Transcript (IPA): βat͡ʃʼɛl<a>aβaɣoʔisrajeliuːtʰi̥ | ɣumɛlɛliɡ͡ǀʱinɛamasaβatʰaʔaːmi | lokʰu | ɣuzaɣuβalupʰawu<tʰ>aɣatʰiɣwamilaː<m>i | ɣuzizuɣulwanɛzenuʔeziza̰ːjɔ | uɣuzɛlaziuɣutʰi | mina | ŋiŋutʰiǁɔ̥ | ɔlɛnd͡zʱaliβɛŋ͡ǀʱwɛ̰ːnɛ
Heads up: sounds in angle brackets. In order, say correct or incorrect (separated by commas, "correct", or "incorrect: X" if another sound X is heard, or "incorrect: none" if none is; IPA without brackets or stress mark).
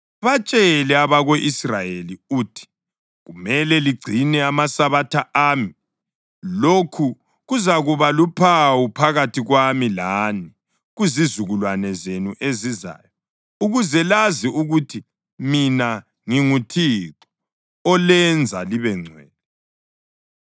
incorrect: ɛ, incorrect: pʰ, incorrect: n